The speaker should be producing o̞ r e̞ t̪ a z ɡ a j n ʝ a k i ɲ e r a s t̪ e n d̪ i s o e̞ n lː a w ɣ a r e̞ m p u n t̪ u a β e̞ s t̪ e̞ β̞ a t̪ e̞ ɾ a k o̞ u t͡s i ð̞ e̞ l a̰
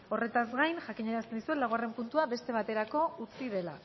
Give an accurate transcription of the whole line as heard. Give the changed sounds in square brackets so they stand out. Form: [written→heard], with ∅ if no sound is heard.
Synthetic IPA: o̞ r e̞ t̪ a z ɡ a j n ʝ a k i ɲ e [r→ɾ] a s t̪ e n d̪ i s [o→u] e̞ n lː a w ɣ a r e̞ m p u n t̪ u a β e̞ s t̪ e̞ β̞ a t̪ e̞ ɾ a k o̞ u t͡s i ð̞ e̞ l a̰